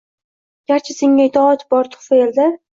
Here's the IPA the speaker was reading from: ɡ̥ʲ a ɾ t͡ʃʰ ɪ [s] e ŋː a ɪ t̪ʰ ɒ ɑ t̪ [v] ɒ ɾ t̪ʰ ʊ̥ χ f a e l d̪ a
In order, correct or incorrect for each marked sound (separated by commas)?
correct, incorrect